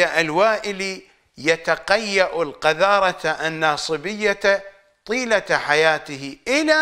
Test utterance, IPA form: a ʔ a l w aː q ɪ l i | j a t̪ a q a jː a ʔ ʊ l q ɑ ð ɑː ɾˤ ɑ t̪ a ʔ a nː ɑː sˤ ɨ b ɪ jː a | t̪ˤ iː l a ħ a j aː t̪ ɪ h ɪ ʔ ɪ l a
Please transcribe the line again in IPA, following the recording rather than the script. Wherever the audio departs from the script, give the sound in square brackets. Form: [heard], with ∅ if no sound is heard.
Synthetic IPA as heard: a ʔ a l w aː [ʔ] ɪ l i | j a t̪ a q a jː a ʔ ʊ l q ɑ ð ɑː ɾˤ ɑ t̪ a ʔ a nː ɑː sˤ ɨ b ɪ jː a | t̪ˤ iː l a ħ a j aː t̪ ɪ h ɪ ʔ ɪ l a